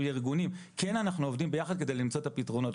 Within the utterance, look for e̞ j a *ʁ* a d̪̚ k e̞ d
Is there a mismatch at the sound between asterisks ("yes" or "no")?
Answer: yes